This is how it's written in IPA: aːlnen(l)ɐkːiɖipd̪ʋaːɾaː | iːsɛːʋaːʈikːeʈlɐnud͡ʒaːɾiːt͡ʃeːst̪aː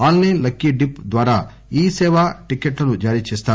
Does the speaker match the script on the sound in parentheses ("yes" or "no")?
yes